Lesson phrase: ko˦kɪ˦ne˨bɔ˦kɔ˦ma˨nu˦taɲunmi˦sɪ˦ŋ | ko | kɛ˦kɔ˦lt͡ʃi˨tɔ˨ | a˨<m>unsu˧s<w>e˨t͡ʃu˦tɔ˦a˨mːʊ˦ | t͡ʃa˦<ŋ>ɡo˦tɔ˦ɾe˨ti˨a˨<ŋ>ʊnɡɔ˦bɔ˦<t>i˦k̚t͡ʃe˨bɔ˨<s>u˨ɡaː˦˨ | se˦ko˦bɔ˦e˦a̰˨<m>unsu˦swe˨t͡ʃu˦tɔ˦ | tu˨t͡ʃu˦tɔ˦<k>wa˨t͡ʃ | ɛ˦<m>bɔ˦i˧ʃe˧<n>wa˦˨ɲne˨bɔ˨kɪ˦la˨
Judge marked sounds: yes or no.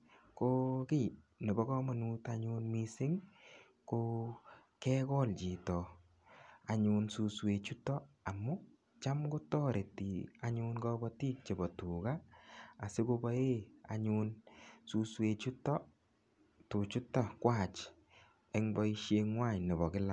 no, yes, no, no, yes, no, no, yes, no, no

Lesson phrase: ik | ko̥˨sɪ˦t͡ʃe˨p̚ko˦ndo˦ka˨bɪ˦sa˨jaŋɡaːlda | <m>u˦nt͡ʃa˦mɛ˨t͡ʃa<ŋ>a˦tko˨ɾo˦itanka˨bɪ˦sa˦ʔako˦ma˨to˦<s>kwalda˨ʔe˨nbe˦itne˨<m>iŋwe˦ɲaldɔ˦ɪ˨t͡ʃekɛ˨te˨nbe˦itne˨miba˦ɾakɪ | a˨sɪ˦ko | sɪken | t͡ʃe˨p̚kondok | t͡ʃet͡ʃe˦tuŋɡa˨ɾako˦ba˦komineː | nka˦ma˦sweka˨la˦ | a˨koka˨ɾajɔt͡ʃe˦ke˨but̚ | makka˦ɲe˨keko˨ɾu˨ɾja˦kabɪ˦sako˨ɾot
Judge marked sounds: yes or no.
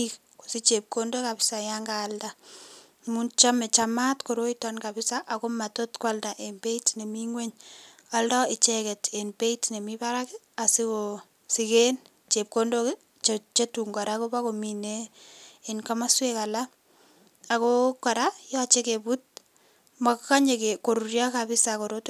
yes, no, no, yes

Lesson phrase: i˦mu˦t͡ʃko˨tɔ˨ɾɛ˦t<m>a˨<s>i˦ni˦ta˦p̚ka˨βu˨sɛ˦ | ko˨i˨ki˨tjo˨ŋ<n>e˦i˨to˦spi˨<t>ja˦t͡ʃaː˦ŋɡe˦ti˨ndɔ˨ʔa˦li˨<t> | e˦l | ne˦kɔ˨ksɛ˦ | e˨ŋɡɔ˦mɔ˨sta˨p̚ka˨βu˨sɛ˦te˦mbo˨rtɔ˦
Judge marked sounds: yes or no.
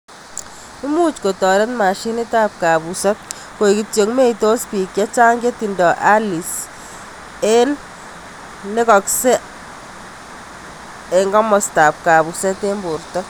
yes, no, no, no, no

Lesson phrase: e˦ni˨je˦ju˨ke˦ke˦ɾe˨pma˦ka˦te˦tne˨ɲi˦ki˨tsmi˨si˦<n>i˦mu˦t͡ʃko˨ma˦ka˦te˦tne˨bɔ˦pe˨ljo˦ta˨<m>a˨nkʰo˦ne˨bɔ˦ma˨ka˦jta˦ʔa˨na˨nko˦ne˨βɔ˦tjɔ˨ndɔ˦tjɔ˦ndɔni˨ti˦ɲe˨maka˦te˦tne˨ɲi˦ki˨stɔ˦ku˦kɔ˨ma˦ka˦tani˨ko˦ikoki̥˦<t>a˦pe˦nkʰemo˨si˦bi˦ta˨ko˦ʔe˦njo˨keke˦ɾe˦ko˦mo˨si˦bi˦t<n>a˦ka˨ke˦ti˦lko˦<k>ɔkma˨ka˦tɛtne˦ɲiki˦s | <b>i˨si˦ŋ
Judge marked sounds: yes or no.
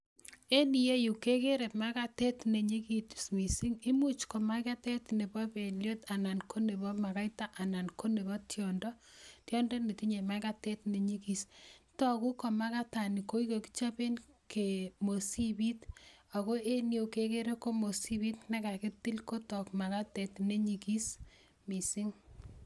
no, no, no, yes, no, no

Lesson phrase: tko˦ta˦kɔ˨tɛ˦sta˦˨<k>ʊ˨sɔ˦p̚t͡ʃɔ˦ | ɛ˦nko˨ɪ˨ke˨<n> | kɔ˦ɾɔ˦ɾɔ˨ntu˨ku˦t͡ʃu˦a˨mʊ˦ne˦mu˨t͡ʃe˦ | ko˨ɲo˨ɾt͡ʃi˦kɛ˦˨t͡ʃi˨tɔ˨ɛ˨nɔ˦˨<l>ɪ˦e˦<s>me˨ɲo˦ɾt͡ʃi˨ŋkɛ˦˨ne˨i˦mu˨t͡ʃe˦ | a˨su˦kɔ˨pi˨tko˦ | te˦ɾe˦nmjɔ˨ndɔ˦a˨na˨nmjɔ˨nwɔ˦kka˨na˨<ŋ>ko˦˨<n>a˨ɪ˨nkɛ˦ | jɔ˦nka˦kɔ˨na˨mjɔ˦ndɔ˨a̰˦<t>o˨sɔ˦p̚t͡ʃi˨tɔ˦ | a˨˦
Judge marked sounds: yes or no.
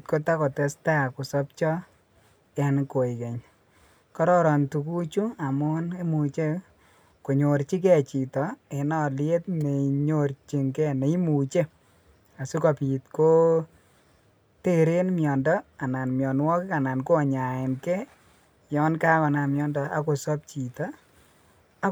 yes, no, yes, no, no, no, no

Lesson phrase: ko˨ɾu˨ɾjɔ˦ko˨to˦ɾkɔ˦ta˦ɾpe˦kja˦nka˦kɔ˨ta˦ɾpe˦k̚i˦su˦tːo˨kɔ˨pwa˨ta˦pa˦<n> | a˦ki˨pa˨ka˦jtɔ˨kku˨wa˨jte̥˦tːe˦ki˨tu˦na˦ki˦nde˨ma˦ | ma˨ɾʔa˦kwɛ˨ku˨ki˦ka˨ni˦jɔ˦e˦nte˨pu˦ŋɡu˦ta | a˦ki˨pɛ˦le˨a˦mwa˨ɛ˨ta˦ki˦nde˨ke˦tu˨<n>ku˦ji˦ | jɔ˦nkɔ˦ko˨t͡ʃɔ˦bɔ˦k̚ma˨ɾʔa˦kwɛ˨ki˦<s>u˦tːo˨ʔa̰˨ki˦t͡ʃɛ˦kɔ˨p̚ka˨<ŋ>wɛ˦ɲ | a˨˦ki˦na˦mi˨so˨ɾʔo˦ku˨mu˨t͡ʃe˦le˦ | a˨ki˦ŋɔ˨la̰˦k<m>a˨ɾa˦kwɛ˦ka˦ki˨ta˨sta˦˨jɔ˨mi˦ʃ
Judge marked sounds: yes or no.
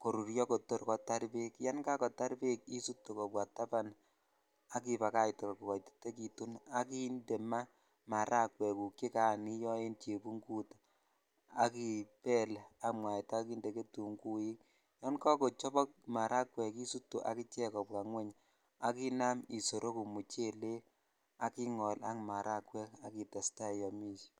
yes, no, yes, yes, yes

